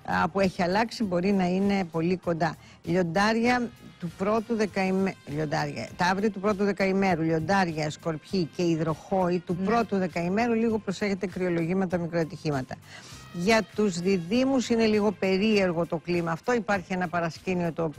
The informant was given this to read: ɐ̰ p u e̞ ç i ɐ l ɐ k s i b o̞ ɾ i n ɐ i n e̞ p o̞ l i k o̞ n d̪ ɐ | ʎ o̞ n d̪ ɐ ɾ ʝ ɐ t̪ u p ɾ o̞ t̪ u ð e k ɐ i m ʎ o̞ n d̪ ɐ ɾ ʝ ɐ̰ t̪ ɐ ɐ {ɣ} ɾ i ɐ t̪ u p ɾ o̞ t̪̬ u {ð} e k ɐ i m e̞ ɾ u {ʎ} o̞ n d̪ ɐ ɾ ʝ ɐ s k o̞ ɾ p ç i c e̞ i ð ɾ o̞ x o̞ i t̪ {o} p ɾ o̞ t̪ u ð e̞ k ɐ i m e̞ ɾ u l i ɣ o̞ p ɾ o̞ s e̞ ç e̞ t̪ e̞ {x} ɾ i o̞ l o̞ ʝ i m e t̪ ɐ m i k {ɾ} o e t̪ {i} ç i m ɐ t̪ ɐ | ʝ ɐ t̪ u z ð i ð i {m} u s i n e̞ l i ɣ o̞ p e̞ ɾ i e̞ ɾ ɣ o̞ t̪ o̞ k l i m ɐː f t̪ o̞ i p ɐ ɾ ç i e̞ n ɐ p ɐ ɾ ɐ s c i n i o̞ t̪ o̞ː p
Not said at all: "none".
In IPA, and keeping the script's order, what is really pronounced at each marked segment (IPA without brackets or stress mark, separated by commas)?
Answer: v, ð, ʎ, u, k, ɾ, i, m